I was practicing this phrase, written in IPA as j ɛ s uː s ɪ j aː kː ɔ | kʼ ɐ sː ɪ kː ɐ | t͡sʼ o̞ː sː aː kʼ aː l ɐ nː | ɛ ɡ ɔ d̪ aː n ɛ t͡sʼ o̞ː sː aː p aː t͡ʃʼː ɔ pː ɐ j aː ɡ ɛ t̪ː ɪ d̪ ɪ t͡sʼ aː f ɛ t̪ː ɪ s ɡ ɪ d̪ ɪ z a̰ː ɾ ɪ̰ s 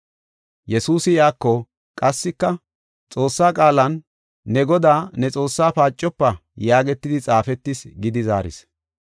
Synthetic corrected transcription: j ɛ s uː s ɪ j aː kː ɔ | kʼ ɐ sː ɪ kː ɐ | t͡sʼ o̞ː sː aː kʼ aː l ɐ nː | ɛ ɡ ɔ d̪ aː n ɛ t͡sʼ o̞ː sː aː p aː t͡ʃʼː ɔ pː ɐ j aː ɡ ɛ t̪ː ɪ d̪ ɪ t͡sʼ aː f ɛ t̪ː ɪ s ɡ ɪ d̪ ɪ z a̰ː ɾ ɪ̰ s